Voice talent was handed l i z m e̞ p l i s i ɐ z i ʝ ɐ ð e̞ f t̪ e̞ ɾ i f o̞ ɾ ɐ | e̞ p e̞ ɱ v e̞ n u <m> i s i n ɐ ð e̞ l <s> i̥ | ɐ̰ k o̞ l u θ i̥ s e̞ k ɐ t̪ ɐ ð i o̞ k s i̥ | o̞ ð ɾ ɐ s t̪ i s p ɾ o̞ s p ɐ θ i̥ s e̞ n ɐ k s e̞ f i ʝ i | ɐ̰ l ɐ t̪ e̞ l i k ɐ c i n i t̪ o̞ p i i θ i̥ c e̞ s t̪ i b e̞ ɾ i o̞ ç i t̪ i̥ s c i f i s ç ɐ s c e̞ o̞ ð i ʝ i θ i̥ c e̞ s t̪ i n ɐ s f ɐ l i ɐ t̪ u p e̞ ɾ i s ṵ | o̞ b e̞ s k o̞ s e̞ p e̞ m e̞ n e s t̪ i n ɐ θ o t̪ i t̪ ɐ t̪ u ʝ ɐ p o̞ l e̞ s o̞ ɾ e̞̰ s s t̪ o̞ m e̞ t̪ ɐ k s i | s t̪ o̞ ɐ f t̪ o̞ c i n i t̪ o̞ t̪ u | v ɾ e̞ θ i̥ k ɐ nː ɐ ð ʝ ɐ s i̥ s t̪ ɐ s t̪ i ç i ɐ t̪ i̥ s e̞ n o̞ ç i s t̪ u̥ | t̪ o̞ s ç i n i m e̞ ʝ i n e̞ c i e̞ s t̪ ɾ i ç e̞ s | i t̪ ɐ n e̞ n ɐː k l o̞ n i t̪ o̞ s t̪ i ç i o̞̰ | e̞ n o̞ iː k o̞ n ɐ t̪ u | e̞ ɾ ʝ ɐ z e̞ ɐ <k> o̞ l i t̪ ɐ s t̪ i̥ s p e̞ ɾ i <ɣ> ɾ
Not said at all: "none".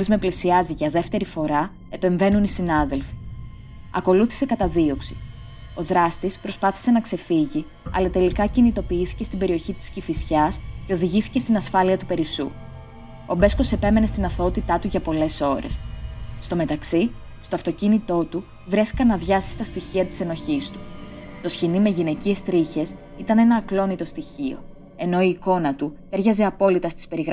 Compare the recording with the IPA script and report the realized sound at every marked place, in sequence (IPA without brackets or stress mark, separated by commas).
n, f, p, ɣ